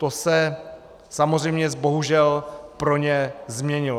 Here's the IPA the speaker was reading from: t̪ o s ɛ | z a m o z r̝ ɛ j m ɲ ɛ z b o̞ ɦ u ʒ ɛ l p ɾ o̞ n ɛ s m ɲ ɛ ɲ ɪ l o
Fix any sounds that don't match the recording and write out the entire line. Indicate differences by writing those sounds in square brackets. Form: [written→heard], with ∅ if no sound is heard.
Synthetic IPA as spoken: t̪ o s ɛ | [z→s] a m o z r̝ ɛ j m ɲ ɛ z b o̞ ɦ u ʒ ɛ l p ɾ o̞ [n→ɲ] ɛ [s→z] m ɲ ɛ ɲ ɪ l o